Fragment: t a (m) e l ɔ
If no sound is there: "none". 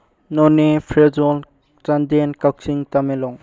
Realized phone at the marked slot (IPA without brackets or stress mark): m